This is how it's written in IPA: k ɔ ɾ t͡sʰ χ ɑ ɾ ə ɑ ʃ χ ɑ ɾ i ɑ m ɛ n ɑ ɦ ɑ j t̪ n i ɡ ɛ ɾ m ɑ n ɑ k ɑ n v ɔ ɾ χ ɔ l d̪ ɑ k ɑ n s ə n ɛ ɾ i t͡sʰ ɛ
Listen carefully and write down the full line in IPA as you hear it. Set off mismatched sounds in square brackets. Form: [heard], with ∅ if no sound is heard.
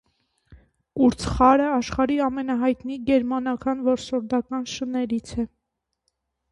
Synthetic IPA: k [u] ɾ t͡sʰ χ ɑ ɾ ə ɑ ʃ χ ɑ ɾ i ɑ m ɛ n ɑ ɦ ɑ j t̪ n i ɡ ɛ ɾ m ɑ n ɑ k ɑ n v ɔ ɾ [s] ɔ [ɾ] d̪ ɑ k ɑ n [ʃ] ə n ɛ ɾ i t͡sʰ ɛ